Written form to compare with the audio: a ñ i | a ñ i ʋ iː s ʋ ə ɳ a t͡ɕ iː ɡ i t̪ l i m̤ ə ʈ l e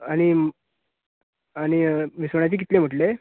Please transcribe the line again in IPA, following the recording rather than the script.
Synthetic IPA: a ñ i | a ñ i ʋ i s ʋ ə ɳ a t͡ɕ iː k i t̪ l e m̤ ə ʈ l e